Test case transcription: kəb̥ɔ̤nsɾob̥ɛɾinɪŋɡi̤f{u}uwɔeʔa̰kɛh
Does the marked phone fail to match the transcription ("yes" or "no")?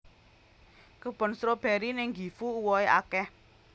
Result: no